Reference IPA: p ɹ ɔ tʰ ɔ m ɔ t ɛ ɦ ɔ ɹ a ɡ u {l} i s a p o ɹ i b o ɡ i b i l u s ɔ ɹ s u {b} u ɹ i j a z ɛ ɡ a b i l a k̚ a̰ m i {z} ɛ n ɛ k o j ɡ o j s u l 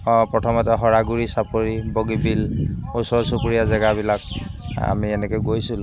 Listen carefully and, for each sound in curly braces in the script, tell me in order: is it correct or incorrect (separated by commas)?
incorrect, incorrect, incorrect